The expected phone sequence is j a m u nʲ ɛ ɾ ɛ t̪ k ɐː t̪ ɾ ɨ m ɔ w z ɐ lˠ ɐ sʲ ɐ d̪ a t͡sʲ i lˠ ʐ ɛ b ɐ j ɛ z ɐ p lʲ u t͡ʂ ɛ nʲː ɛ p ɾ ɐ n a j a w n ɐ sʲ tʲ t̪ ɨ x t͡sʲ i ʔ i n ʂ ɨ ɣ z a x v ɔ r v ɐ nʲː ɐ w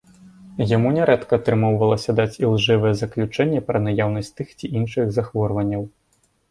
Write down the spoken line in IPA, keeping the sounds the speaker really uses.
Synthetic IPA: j a m u nʲ ɛ ɾ ɛ t̪ k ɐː t̪ ɾ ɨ m ɔ w v ɐ lˠ ɐ sʲ ɐ d̪ a t͡sʲ i lˠ ʐ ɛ v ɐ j ɛ z ɐ k lʲ u t͡ʂ ɛ nʲː ɛ p ɾ ɐ n a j a w n ɐ sʲ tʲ t̪ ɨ x t͡sʲ i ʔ i n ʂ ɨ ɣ z a x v ɔ r v ɐ nʲː ɐ w

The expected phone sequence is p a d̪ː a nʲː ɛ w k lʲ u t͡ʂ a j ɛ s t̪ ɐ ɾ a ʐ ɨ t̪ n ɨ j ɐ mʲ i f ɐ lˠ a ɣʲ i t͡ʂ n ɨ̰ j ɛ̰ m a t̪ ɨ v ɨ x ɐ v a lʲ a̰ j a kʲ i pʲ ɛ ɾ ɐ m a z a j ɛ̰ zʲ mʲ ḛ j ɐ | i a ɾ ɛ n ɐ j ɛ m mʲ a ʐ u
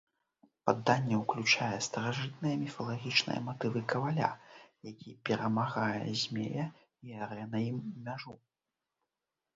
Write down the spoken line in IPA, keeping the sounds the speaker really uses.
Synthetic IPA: p a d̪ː a nʲː ɛ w k lʲ u t͡ʂ a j ɛ s t̪ ɐ ɾ a ʐ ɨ t̪ n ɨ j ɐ mʲ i f ɐ lˠ a ɣʲ i t͡ʂ n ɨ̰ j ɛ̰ m a t̪ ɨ v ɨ k ɐ v a lʲ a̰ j a kʲ i pʲ ɛ ɾ ɐ m a ɣ a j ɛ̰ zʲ mʲ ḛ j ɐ | i a ɾ ɛ n ɐ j i m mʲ a ʐ u

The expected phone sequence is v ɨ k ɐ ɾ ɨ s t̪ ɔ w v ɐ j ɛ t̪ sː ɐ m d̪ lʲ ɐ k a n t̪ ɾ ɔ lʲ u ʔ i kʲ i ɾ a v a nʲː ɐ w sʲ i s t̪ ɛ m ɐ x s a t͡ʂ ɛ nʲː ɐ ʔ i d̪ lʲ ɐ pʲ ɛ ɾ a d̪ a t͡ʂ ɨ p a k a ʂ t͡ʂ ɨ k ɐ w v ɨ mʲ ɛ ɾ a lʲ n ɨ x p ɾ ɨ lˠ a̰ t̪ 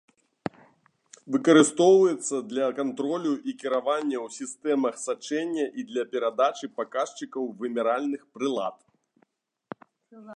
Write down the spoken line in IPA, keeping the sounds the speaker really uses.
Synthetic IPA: v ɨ k ɐ ɾ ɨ s t̪ ɔ w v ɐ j ɛ t̪ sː ɐ d̪ lʲ ɐ k a n t̪ ɾ ɔ lʲ u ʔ i kʲ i ɾ a v a nʲː ɐ w sʲ i s t̪ ɛ m ɐ x s a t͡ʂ ɛ nʲː ɐ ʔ i d̪ lʲ ɐ pʲ ɛ ɾ a d̪ a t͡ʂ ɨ p a k a ʂ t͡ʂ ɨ k ɐ w v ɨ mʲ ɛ ɾ a lʲ n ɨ x p ɾ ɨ lˠ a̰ t̪

